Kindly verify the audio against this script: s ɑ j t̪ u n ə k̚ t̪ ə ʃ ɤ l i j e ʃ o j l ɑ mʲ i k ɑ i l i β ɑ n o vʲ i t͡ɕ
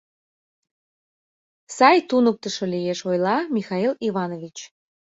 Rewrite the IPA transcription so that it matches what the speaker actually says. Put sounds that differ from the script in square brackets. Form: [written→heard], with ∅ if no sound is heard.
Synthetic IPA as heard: s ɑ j t̪ u n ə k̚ t̪ ə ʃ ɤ l i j e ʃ o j l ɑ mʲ i [k→x] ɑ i l i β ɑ n o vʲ i t͡ɕ

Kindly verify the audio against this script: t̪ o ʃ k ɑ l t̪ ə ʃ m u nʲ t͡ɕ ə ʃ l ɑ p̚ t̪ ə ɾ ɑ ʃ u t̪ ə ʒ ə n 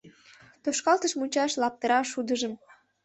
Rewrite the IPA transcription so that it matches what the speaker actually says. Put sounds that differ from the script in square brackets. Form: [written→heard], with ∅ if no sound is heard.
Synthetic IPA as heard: t̪ o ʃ k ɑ l t̪ ə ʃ m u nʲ t͡ɕ [ə→ɑ] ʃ l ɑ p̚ t̪ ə ɾ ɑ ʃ u [t̪→d̪] ə ʒ ə [n→m]

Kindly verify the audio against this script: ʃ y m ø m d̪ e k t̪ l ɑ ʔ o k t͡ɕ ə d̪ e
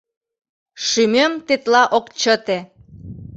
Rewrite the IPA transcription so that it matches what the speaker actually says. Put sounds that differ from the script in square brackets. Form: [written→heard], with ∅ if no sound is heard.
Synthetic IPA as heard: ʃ y m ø m [d̪→t̪] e [k→∅] t̪ l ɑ ʔ o k t͡ɕ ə [d̪→t̪] e

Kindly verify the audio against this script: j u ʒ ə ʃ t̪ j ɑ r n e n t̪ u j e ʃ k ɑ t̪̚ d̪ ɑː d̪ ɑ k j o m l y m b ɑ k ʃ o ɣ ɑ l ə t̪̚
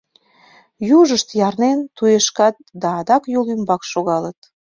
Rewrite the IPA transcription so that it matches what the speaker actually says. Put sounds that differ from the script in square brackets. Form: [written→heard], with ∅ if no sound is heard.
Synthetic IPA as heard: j u ʒ ə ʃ t̪ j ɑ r n e n t̪ u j e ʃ k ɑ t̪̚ d̪ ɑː d̪ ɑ k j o [m→∅] l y m b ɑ k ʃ o ɣ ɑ l ə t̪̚

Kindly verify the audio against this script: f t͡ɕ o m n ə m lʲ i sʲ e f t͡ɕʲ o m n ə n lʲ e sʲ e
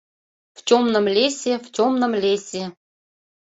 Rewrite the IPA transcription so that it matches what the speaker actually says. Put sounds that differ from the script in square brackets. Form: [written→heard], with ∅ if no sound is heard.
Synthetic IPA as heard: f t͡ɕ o m n ə m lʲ [i→e] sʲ e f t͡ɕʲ o m n ə [n→m] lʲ e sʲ e

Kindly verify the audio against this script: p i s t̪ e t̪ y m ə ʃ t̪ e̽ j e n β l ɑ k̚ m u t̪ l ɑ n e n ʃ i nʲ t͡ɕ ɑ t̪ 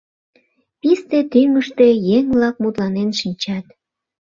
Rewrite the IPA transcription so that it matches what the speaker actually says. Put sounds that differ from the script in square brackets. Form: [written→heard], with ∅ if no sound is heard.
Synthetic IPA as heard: p i s t̪ e t̪ y m ə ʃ t̪ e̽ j e [n→ŋ] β l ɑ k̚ m u t̪ l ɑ n e n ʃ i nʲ t͡ɕ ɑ t̪

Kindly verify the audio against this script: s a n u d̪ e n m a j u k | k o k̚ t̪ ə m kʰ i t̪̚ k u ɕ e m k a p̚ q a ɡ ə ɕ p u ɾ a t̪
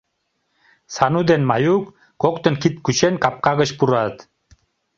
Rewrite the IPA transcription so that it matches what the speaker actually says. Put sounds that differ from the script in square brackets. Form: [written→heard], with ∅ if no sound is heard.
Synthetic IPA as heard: s a n u d̪ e n m a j u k | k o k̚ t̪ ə [m→n] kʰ i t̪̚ k u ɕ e [m→n] k a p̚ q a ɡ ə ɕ p u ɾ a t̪

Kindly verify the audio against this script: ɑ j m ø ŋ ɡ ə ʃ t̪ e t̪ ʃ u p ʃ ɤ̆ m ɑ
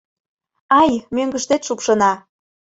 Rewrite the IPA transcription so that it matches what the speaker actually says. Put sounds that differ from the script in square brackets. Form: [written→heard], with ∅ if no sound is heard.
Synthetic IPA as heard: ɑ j m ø ŋ ɡ ə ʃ t̪ e t̪ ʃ u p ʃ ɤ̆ [m→n] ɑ

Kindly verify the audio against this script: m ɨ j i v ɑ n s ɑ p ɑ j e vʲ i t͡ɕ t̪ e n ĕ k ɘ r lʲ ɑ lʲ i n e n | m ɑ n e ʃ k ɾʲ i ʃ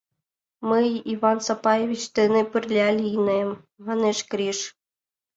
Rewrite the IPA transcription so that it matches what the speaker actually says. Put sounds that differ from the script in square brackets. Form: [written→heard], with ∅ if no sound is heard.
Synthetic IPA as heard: m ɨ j i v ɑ n s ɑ p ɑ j e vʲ i t͡ɕ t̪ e n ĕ [k→p] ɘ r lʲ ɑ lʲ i n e [n→m] | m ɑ n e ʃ k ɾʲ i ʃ

